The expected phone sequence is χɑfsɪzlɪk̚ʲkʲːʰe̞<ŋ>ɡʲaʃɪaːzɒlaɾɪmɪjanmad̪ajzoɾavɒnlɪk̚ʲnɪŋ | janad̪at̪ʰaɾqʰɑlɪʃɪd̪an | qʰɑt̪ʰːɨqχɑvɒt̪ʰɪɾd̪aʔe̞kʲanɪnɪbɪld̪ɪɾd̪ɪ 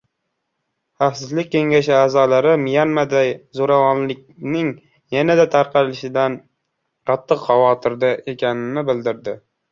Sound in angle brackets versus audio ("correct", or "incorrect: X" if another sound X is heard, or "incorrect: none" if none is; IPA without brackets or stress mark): correct